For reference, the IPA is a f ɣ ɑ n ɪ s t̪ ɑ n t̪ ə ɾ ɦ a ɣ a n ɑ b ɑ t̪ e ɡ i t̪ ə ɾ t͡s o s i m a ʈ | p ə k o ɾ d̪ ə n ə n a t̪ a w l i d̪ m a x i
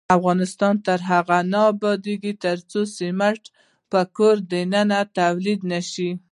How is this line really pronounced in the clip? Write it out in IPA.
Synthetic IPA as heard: a f ɣ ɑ n ɪ s t̪ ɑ n t̪ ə ɾ ɦ a ɣ a n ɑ b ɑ d̪ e ɡ i t̪ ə ɾ t͡s o s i m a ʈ | p ə k o ɾ d̪ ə n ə n a t̪ a w l i d̪ n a ʃ i